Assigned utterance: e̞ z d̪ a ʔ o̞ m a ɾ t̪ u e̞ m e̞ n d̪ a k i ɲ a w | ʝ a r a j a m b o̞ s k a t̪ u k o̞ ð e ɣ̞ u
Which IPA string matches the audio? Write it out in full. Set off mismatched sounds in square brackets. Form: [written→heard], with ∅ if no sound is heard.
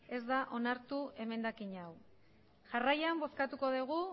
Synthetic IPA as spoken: e̞ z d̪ a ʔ o̞ [m→n] a ɾ t̪ u e̞ m e̞ n d̪ a k i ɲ a w | ʝ a r a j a m b o̞ s k a t̪ u k o̞ ð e ɣ̞ u

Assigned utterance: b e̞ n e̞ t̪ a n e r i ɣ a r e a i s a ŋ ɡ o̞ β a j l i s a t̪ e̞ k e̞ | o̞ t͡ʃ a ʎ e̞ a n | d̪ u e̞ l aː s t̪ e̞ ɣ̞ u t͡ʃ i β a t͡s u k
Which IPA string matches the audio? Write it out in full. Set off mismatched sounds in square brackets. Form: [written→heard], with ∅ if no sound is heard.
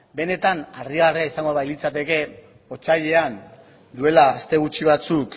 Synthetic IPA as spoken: b e̞ n e̞ t̪ a n [e→a] r i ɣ a r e a i s a ŋ ɡ o̞ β a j l i [s→t͡s] a t̪ e̞ k e̞ | o̞ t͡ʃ a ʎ e̞ a n | d̪ u e̞ l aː s t̪ e̞ ɣ̞ u t͡ʃ i β a t͡s u k

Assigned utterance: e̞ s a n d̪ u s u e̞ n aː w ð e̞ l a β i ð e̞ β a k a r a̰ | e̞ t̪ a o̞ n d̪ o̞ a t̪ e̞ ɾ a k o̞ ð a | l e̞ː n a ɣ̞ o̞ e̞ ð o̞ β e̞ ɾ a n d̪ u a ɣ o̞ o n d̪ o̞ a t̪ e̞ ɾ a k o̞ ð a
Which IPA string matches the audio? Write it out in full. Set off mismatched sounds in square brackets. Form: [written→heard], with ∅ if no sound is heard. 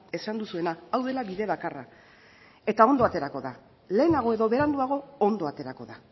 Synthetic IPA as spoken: e̞ s a n d̪ u s u e̞ n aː w ð e̞ l a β i ð e̞ β a k a r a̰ | e̞ t̪ a o̞ n d̪ o̞ a t̪ e̞ ɾ a k o̞ ð a | l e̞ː n a ɣ̞ o̞ e̞ ð o̞ β e̞ ɾ a n d̪ u a ɣ o̞ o n d̪ o̞ a t̪ e̞ ɾ a k o̞ ð a

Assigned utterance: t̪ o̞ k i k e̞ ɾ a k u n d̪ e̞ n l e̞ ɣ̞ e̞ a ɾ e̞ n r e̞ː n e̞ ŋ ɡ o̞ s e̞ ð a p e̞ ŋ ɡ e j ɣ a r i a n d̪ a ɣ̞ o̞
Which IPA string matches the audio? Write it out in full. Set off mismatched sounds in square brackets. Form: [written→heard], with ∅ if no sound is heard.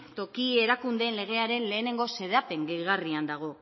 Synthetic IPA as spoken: t̪ o̞ k i [k→∅] e̞ ɾ a k u n d̪ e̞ n l e̞ ɣ̞ e̞ a ɾ e̞ n [r→l] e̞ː n e̞ ŋ ɡ o̞ s e̞ ð a p e̞ ŋ ɡ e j ɣ a r i a n d̪ a ɣ̞ o̞

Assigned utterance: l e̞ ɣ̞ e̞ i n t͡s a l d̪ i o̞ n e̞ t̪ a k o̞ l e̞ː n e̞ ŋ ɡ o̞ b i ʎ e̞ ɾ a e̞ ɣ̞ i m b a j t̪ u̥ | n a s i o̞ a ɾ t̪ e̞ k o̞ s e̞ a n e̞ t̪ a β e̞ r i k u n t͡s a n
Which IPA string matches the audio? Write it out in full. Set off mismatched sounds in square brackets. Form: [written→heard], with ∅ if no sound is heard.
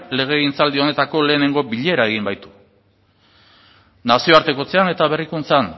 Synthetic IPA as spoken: l e̞ ɣ̞ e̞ i n t͡s a l d̪ i o̞ n e̞ t̪ a k o̞ l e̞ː n e̞ ŋ ɡ o̞ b i ʎ e̞ ɾ a e̞ ɣ̞ i m b a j t̪ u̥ | n a s i o̞ a ɾ t̪ e̞ k o̞ [s→t͡s] e̞ a n e̞ t̪ a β e̞ r i k u n t͡s a n

